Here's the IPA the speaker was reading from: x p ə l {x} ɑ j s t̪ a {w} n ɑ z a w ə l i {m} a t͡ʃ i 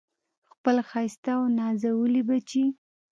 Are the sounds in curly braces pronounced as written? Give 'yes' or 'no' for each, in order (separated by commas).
yes, yes, no